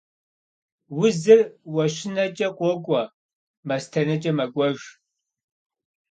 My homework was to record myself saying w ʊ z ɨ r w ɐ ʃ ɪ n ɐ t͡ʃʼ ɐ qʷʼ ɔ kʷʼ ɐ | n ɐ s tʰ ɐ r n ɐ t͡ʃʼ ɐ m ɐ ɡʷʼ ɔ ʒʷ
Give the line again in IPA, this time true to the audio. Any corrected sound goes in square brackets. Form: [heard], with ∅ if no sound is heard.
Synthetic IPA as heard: w ʊ z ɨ r w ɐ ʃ ɪ n ɐ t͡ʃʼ ɐ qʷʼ ɔ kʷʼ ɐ | [m] ɐ s tʰ ɐ [∅] n ɐ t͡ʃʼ ɐ m ɐ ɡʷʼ ɔ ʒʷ